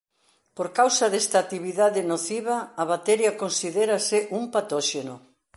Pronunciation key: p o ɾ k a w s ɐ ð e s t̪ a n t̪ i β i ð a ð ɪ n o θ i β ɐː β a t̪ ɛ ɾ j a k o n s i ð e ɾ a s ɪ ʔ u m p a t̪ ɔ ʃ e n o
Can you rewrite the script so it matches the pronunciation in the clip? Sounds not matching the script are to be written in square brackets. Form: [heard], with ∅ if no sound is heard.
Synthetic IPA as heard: p o ɾ k a w s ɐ ð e s t̪ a [∅] t̪ i β i ð a ð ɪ n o θ i β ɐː β a t̪ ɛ ɾ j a k o n s i ð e ɾ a s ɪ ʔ u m p a t̪ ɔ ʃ e n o